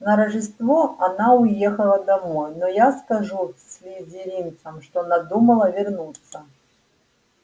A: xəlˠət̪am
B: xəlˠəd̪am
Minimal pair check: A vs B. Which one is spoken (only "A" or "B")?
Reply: B